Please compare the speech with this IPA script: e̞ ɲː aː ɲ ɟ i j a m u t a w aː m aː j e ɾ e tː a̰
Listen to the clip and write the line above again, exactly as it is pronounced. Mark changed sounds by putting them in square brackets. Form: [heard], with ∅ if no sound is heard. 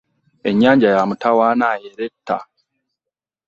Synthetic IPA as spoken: e̞ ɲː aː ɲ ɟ [a] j a m u t a w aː [n] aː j e ɾ e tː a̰